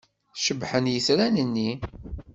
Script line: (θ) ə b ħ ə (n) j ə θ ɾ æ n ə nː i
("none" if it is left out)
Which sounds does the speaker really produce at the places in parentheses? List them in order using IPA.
ʃ, n

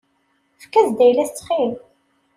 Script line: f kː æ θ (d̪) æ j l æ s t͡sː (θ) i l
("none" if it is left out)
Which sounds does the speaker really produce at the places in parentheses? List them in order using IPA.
d̪, χ

